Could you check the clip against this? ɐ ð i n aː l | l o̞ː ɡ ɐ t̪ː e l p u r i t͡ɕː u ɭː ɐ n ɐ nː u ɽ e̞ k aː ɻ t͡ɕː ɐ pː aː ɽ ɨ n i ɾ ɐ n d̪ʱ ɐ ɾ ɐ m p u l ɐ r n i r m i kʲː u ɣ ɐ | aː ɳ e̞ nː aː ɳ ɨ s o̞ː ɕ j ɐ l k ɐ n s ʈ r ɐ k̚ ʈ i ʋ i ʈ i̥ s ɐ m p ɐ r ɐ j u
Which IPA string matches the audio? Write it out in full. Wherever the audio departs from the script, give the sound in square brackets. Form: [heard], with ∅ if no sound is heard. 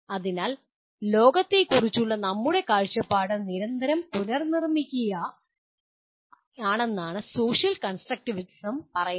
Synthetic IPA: ɐ ð i n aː l | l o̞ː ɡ ɐ t̪ː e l [k] u r i t͡ɕː u ɭː ɐ n ɐ [mː] u ɽ e̞ k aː ɻ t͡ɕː ɐ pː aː ɽ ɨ n i ɾ ɐ n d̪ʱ ɐ ɾ ɐ m p u l ɐ r n i r m i kʲː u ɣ ɐ | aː ɳ e̞ nː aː ɳ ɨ s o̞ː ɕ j ɐ l k ɐ n s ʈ r ɐ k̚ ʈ i ʋ i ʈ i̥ s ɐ m p ɐ r ɐ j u